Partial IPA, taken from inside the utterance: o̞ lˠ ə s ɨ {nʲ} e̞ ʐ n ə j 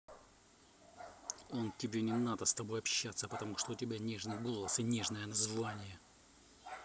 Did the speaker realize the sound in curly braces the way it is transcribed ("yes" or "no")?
yes